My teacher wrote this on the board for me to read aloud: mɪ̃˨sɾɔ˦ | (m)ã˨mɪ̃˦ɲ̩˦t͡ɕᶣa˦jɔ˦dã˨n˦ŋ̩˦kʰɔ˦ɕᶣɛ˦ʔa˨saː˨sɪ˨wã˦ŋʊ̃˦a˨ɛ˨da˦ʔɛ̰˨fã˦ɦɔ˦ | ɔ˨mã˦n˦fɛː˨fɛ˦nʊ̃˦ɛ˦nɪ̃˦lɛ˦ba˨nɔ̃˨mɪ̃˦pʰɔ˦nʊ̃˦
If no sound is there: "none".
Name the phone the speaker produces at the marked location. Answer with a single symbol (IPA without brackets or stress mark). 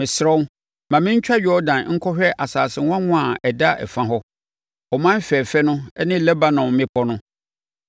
m